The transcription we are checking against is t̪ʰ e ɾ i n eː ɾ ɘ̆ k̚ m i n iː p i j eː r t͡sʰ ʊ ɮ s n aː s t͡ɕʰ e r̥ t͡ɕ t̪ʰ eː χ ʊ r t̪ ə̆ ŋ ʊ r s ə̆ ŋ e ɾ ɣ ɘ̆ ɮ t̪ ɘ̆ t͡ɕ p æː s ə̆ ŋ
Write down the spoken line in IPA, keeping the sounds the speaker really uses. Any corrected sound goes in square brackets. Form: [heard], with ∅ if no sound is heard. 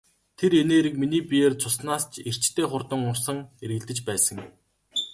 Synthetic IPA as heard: t̪ʰ e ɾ [e] n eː ɾ ɘ̆ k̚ m i n iː p i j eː r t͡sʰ ʊ [∅] s n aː s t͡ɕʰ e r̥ t͡ɕ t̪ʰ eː χ ʊ r t̪ ə̆ ŋ ʊ r s ə̆ ŋ e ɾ ɣ ɘ̆ ɮ t̪ ɘ̆ t͡ɕ p æː s ə̆ ŋ